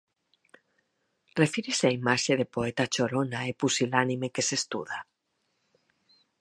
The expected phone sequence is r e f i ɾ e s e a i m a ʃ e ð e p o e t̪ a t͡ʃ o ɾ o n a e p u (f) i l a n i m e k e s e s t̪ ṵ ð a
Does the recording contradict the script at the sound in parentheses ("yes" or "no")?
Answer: yes